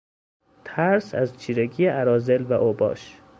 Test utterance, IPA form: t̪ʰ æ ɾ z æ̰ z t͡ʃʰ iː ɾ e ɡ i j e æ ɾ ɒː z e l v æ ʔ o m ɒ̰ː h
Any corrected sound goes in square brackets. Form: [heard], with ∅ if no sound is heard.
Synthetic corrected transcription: t̪ʰ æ ɾ [s] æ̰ z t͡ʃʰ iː ɾ e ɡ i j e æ ɾ ɒː z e l v æ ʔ o [b] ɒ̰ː [ʃ]